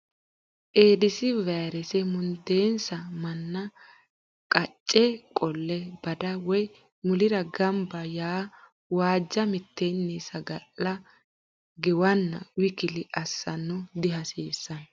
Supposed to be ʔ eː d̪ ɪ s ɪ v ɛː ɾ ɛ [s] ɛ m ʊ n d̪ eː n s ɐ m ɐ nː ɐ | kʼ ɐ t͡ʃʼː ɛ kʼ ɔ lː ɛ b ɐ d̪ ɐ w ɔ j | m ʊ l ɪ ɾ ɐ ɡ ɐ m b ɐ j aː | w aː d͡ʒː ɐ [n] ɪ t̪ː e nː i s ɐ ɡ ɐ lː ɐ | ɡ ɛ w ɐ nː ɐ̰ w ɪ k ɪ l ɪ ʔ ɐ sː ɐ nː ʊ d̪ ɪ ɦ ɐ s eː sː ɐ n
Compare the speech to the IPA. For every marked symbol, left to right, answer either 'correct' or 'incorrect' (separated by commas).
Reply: correct, incorrect